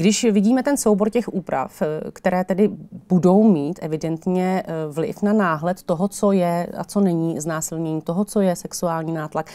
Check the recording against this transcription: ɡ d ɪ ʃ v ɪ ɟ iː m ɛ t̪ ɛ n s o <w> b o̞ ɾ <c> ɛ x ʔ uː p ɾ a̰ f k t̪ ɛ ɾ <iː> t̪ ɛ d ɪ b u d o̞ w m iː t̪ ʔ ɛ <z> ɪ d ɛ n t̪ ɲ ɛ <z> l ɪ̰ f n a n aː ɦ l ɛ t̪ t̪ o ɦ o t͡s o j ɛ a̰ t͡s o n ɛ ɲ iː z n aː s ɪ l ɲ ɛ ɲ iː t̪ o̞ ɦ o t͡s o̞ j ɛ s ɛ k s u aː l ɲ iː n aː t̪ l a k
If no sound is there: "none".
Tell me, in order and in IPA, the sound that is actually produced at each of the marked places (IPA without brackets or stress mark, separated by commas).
w, c, ɛː, v, v